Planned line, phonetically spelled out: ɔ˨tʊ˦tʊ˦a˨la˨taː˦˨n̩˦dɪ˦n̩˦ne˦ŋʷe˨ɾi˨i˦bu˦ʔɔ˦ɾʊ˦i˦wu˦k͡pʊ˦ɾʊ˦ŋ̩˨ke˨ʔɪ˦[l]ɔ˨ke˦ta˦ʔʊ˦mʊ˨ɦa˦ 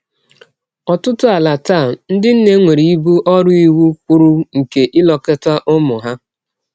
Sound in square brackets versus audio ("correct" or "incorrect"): correct